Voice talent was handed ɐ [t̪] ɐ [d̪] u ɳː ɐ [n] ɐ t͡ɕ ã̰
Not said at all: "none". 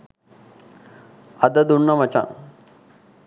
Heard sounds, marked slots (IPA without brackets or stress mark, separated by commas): d̪, d̪, m